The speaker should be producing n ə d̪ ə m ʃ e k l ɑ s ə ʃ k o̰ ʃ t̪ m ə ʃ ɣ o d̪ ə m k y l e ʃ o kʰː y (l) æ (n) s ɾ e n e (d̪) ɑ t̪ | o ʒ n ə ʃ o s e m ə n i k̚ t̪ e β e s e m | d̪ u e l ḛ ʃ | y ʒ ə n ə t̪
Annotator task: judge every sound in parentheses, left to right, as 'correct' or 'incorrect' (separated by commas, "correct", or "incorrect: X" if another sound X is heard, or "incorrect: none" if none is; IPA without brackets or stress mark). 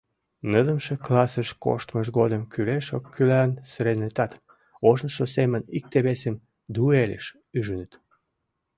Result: correct, correct, incorrect: t̪